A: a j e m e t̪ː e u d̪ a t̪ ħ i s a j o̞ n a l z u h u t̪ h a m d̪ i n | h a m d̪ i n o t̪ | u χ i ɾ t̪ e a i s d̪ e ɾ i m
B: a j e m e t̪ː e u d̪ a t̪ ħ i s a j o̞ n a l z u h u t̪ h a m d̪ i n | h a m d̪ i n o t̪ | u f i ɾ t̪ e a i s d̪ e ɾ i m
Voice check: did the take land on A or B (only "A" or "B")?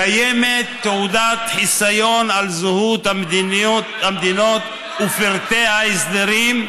B